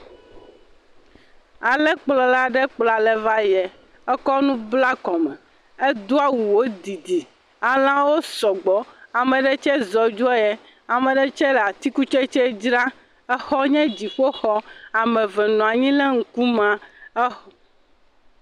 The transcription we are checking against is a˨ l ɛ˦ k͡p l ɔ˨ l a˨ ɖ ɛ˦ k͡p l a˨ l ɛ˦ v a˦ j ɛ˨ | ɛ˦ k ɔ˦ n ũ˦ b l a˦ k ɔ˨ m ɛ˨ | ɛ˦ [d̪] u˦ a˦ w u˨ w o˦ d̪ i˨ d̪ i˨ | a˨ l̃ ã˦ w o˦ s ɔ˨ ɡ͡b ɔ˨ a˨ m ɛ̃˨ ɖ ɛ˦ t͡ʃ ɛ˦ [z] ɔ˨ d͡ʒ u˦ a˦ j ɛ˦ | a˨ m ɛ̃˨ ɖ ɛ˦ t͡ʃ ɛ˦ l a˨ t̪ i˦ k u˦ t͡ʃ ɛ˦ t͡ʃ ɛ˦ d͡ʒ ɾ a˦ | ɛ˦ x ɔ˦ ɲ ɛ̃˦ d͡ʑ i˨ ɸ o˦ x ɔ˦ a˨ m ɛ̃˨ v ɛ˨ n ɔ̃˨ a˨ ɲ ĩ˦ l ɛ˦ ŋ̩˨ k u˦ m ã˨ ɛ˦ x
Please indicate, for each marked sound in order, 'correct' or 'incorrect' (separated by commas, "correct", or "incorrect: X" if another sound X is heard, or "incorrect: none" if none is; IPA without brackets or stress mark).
correct, correct